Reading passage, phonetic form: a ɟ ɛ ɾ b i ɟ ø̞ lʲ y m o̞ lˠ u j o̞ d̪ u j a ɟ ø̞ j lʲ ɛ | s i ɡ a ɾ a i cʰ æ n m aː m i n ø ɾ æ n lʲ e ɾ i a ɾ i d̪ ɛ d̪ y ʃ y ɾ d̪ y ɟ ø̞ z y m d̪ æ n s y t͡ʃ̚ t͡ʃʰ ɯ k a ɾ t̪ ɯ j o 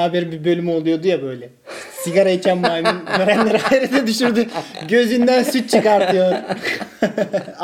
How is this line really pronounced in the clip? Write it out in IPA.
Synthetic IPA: a b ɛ ɾ b i b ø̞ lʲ y m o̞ lˠ u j o̞ d̪ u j a b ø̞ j lʲ ɛ | s i ɡ a ɾ a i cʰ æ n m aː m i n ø ɾ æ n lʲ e ɾ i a ɾ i d̪ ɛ d̪ y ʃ y ɾ d̪ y ɟ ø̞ z y n d̪ æ n s y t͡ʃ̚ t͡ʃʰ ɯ k a ɾ t̪ ɯ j o